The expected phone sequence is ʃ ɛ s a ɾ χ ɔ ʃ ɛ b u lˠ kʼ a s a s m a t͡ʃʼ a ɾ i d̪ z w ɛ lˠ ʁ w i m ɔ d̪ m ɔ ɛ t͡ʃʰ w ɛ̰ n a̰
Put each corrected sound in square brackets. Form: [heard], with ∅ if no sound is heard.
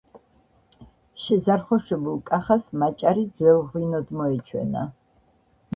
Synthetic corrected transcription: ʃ ɛ [z] a ɾ χ ɔ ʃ ɛ b u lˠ kʼ a [χ] a s m a t͡ʃʼ a ɾ i d̪ z w ɛ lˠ ʁ w i [n] ɔ d̪ m ɔ ɛ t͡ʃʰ w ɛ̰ n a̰